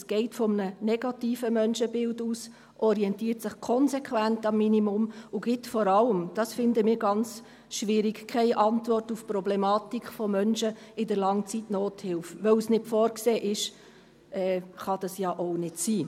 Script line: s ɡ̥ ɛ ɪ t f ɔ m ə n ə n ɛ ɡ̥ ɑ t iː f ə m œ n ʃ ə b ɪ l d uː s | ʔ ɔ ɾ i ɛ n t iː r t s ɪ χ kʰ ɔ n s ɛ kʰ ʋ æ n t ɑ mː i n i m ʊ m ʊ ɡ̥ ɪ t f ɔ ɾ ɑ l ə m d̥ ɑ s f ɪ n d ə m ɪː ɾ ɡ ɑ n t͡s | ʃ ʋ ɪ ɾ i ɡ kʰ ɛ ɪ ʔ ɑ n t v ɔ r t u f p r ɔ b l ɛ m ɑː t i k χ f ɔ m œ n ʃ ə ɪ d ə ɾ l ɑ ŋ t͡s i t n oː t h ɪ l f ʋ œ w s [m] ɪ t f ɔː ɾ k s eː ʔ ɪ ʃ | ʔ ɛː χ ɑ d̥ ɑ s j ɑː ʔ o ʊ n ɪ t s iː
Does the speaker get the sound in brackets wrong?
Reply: yes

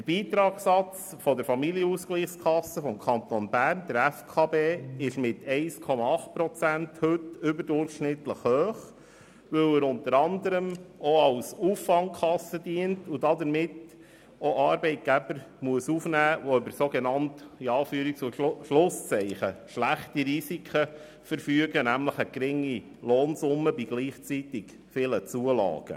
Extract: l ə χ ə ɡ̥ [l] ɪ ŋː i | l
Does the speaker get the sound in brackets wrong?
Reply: yes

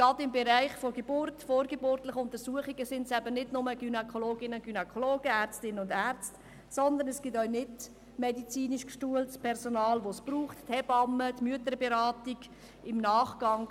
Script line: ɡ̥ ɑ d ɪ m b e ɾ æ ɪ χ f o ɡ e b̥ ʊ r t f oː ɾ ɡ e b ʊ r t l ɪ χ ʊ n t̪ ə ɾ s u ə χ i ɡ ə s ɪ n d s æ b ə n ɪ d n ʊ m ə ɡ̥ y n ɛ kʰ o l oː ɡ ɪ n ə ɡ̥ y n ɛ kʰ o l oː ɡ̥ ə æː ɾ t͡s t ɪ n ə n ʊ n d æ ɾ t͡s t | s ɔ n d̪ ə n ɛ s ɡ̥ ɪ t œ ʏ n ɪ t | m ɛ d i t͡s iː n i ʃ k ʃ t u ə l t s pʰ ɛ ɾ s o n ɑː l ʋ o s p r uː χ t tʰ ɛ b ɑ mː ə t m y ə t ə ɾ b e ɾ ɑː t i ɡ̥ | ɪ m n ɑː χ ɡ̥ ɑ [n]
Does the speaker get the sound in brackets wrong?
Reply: yes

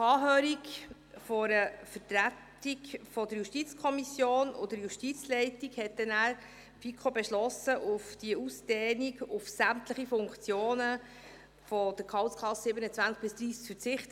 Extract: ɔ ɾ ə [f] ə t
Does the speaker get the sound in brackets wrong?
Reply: no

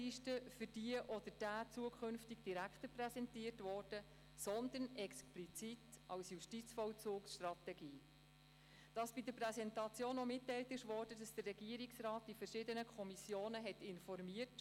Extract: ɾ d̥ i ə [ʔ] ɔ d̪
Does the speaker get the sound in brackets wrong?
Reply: no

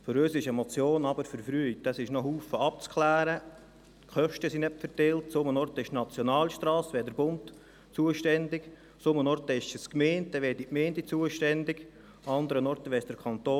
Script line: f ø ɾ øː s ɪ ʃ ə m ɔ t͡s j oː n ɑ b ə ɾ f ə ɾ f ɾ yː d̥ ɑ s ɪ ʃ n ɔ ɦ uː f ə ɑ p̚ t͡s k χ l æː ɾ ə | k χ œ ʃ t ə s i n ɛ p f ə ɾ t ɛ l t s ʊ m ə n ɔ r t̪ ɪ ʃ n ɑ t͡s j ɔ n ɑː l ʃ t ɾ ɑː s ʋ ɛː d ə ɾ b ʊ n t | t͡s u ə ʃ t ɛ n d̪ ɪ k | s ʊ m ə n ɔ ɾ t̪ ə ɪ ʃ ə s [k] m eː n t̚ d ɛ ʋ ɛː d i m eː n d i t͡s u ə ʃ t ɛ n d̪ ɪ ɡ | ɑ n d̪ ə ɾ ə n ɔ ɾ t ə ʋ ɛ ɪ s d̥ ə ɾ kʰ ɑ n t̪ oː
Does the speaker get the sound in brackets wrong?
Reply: no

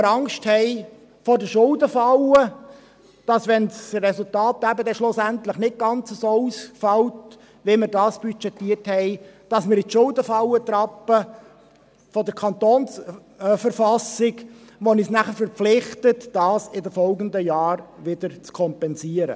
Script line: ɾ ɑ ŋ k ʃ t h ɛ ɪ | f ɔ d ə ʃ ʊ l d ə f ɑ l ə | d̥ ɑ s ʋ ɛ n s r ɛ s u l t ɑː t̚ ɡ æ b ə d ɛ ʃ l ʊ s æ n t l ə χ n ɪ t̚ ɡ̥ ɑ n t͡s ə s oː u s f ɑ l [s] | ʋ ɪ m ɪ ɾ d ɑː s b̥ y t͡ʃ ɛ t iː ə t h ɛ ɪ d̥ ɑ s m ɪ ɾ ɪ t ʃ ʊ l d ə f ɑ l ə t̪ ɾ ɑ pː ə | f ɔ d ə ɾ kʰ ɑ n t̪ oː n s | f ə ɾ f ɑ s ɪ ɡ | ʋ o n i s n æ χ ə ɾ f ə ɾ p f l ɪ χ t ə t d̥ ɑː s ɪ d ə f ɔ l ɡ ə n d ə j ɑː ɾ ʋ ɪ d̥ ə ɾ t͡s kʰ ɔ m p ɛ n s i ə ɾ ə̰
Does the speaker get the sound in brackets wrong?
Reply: yes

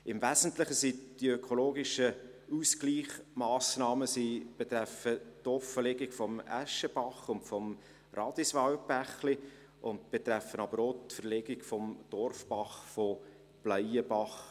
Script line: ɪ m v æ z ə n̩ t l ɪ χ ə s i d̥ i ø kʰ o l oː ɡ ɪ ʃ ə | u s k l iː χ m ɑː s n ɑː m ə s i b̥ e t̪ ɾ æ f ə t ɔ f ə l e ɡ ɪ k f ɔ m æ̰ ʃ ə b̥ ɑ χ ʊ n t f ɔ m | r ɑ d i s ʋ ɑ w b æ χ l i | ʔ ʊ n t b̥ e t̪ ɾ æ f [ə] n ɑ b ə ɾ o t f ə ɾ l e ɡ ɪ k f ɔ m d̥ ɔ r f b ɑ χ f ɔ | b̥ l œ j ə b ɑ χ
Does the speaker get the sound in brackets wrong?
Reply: no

